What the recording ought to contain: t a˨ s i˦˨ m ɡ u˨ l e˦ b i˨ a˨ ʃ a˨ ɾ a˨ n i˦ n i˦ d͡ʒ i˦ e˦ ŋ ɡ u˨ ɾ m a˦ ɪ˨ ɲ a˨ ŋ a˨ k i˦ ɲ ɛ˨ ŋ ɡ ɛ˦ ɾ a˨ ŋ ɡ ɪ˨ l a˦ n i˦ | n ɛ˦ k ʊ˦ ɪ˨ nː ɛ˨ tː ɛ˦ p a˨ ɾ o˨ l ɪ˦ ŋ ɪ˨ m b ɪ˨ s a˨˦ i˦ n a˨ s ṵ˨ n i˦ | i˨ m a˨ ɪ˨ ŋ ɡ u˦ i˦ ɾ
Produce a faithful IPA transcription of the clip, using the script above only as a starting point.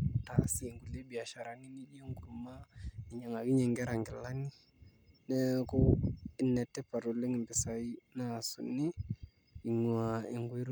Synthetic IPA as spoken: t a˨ s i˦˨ ŋ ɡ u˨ l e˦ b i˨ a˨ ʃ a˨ ɾ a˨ n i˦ n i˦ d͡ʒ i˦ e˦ ŋ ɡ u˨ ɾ m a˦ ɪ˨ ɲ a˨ ŋ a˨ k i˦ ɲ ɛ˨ ŋ ɡ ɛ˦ ɾ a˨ ŋ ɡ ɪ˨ l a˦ n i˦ | n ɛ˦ k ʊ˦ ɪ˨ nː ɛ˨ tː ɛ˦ p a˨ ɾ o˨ l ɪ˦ ŋ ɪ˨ m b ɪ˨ s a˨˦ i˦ n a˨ s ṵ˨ n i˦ | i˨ ŋ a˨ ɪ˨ ŋ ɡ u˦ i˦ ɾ